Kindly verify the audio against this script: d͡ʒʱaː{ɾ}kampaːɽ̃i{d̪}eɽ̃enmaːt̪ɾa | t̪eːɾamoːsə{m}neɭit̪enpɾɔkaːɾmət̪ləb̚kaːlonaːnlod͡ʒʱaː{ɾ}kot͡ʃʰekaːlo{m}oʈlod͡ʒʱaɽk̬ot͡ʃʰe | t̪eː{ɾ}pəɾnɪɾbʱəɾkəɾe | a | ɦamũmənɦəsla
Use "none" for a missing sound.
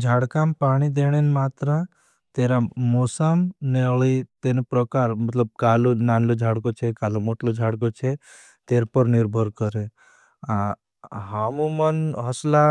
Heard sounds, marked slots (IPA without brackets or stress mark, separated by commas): ɽ, d̪, m, ɽ, m, ɾ